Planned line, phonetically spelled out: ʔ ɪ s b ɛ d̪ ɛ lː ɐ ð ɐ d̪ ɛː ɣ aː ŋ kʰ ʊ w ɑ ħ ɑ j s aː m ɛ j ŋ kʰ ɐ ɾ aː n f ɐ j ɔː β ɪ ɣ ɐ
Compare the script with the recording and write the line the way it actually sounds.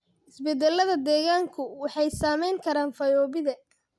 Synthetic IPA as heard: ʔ ɪ s b ɛ d̪ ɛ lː ɐ ð ɐ d̪ ɛː ɣ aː ŋ kʰ ʊ w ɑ ħ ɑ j s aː m ɛ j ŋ kʰ ɐ ɾ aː n f ɐ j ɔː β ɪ ð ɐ